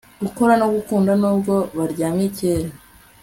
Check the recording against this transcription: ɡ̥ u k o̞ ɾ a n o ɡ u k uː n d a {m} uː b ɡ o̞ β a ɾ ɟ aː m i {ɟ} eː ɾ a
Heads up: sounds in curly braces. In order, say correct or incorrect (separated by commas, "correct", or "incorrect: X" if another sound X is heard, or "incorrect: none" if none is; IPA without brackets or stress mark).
incorrect: n, incorrect: c